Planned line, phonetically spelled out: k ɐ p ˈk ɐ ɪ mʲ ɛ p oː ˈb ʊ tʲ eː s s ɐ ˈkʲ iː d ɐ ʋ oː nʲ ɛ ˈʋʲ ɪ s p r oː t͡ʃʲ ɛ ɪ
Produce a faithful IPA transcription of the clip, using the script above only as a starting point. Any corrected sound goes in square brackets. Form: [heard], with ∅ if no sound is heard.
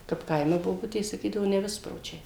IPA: k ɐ p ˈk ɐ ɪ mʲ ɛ [b] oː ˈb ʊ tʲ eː s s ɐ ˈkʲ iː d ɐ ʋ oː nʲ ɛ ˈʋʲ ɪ s p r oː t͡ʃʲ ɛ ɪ